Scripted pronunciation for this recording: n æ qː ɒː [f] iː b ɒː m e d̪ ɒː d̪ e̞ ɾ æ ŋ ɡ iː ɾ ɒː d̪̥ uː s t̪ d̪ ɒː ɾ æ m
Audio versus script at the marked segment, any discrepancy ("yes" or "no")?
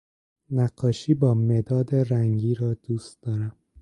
yes